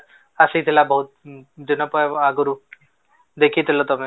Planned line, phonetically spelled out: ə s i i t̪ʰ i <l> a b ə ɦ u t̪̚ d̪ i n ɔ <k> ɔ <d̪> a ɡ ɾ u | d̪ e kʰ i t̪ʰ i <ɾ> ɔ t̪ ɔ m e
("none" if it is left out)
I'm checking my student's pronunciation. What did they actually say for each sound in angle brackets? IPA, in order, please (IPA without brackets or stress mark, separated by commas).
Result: l, p, none, l